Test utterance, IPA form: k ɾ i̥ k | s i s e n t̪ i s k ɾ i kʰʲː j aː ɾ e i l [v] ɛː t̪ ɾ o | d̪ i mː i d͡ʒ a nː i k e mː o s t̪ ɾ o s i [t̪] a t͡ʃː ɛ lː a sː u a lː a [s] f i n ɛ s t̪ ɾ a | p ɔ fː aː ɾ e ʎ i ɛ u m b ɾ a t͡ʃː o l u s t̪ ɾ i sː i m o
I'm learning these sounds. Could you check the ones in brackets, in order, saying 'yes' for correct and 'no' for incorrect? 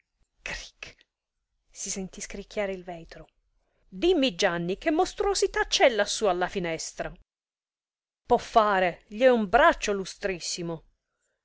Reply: yes, yes, no

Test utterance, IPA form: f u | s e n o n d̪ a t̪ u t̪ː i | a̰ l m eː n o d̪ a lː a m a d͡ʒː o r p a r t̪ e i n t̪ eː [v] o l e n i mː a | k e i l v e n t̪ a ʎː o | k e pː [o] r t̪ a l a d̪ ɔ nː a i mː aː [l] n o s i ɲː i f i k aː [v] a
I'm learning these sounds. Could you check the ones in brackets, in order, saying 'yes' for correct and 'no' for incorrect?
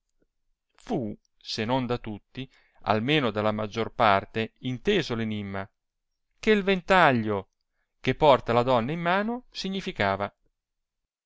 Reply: no, no, no, yes

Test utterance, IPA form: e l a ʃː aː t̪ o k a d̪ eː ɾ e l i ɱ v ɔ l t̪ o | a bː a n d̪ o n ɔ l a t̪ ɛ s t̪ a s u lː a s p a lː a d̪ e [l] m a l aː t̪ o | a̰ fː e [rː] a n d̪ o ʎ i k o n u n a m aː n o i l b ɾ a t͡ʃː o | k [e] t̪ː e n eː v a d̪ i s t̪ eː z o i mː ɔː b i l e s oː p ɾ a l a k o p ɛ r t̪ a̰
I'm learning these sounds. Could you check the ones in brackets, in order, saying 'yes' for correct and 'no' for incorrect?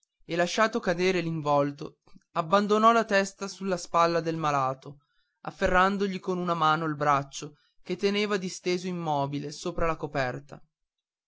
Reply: yes, yes, yes

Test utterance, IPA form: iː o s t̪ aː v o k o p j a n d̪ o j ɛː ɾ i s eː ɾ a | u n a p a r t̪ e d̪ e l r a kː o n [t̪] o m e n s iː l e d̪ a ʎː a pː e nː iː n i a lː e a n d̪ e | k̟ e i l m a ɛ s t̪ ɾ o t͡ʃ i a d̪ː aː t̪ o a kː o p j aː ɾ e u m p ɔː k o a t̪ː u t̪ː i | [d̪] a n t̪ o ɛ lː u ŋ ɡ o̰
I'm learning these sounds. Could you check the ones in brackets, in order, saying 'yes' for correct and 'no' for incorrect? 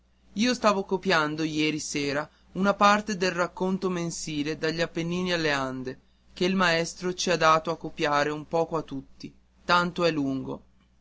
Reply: yes, no

